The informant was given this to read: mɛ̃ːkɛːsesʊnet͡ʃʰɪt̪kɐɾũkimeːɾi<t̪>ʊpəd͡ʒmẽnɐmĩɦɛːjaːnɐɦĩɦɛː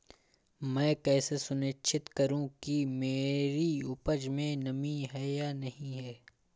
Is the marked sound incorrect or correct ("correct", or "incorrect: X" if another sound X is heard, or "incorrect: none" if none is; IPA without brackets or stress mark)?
incorrect: none